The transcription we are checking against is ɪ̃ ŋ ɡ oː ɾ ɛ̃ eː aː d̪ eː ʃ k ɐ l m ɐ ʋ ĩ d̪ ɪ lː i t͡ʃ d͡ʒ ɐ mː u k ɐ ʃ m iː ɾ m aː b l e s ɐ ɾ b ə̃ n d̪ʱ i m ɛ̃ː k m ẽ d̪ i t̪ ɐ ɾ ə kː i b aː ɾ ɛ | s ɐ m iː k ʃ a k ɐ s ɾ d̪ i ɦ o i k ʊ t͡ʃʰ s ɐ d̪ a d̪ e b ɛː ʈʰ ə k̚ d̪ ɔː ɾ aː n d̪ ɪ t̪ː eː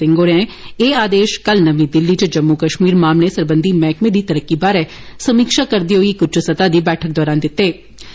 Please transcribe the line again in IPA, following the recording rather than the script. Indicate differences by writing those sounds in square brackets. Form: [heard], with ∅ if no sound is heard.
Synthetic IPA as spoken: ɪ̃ ŋ ɡ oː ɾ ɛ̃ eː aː d̪ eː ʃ k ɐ l [n] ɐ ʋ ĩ d̪ ɪ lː i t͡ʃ d͡ʒ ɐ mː u k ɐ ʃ m iː ɾ m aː [m] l e s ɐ ɾ b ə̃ n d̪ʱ i m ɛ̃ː k m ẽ d̪ i t̪ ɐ ɾ ə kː i b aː ɾ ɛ | s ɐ m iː k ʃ a k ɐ [∅] ɾ d̪ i ɦ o i k ʊ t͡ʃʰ s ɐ [t̪] a d̪ [i] b ɛː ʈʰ ə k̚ d̪ ɔː ɾ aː n d̪ ɪ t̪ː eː